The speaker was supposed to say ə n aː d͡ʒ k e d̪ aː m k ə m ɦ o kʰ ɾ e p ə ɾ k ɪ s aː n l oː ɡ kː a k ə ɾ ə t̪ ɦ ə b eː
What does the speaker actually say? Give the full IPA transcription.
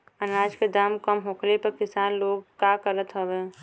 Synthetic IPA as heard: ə n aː d͡ʒ k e d̪ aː m k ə m ɦ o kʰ l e p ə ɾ k ɪ s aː n l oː ɡ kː a k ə ɾ ə t̪ ɦ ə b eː

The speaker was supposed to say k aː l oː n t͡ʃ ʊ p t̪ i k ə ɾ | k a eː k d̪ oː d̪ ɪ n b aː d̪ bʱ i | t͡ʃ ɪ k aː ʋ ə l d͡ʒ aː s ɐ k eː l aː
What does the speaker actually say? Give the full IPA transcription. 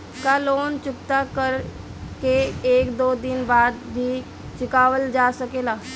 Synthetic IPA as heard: k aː l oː n t͡ʃ ʊ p t̪ a k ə ɾ | k e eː k d̪ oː d̪ ɪ n b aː d̪ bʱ i | t͡ʃ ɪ k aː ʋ ə l d͡ʒ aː s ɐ k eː l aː

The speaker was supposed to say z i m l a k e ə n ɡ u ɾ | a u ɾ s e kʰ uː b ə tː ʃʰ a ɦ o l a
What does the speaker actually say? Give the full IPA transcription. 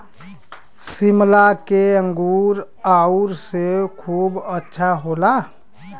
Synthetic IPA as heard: s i m l a k e ə ŋ ɡ u ɾ | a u ɾ s e kʰ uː b ə tː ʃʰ a ɦ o l a

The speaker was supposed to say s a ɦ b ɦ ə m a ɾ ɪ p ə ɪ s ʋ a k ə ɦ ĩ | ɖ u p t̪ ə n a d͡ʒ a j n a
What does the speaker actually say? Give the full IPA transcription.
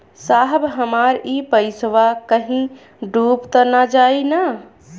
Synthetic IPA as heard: s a ɦ b ɦ ə m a ɾ i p ə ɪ s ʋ a k ə ɦ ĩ | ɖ u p t̪ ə n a d͡ʒ a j n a

